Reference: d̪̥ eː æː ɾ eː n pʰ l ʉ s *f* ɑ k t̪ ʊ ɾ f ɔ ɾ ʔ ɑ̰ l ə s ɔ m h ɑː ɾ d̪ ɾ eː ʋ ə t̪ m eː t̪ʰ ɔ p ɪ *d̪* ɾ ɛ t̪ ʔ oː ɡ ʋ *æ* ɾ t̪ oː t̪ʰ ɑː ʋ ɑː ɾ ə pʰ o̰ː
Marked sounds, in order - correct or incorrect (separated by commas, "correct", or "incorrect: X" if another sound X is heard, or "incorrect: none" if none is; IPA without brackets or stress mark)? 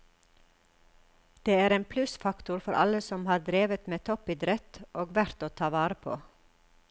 correct, correct, correct